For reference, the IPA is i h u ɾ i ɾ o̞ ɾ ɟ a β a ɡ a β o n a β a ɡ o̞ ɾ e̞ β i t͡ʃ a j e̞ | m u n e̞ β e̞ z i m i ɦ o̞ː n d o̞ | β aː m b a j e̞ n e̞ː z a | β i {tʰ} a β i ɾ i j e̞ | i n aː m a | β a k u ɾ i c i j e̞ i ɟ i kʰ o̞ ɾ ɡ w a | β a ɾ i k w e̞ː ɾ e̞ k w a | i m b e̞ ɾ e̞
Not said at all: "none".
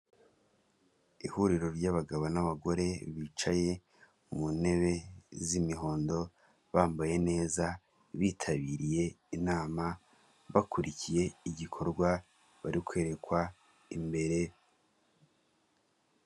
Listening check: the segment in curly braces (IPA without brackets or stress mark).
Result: tʰ